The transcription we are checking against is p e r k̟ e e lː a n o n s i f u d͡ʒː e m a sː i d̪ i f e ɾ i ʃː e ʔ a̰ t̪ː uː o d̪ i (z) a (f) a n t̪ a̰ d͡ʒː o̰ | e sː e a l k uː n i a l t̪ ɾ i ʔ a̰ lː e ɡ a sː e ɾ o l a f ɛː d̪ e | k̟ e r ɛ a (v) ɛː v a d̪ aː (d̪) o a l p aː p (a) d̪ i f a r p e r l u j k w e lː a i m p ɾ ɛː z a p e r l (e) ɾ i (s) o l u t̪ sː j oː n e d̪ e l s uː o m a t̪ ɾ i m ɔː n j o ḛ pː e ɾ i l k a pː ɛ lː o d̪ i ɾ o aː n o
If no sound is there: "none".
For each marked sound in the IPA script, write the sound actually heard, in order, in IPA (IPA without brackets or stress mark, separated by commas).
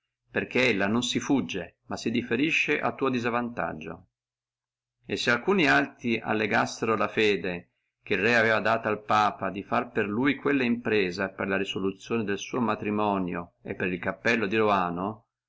z, v, v, t̪, a, a, s